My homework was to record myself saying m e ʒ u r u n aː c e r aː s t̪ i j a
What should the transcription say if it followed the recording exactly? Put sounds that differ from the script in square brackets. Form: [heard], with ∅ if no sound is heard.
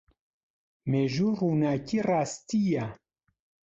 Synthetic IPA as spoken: m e ʒ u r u n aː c [i] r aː s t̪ i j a